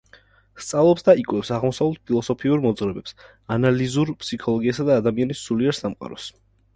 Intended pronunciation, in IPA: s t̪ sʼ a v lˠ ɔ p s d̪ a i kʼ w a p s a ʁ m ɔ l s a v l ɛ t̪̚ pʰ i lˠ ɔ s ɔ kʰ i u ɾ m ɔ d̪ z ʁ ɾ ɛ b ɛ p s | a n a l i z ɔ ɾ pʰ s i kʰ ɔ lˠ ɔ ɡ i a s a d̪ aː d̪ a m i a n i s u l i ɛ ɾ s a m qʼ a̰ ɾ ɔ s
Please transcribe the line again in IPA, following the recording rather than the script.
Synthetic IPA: s t̪ sʼ a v lˠ ɔ p s d̪ a i kʼ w ɛ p s a ʁ m ɔ s a v l ɛ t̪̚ pʰ i lˠ ɔ s ɔ pʰ i u ɾ m ɔ d̪ z ʁ ɾ ɛ b ɛ p s | a n a l i z u ɾ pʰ s i kʰ ɔ lˠ ɔ ɡ i a s a d̪ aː d̪ a m i a n i s u l i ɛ ɾ s a m qʼ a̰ ɾ ɔ s